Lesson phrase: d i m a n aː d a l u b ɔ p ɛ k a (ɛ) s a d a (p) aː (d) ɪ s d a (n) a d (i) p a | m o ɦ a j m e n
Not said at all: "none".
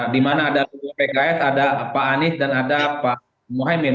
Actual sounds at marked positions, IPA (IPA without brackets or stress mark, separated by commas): ɛ, p, n, n, a